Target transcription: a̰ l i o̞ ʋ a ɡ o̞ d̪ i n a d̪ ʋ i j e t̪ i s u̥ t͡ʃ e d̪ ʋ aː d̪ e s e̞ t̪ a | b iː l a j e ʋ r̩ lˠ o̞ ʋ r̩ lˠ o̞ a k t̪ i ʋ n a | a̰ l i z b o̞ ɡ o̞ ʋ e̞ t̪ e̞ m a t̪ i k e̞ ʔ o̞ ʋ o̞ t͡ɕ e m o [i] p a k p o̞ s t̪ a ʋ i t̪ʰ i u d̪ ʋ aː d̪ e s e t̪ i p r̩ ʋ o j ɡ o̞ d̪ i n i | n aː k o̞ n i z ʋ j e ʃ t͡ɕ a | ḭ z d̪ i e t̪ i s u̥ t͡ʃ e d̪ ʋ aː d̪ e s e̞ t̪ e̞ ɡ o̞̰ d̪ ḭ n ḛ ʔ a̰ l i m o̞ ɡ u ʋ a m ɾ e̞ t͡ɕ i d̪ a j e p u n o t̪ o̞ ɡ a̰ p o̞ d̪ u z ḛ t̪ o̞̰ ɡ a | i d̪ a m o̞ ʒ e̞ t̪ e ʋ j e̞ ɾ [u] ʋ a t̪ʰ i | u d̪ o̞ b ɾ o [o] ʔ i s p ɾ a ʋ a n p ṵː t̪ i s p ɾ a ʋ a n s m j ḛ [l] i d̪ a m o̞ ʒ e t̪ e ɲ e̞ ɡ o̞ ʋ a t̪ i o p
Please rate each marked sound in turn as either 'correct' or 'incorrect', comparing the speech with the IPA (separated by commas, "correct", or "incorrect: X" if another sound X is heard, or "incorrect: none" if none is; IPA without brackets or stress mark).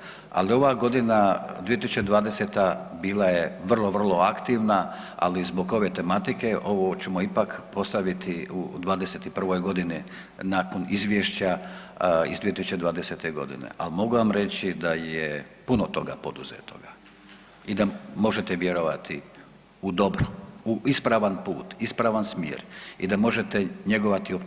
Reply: correct, incorrect: o, incorrect: u, incorrect: ɾ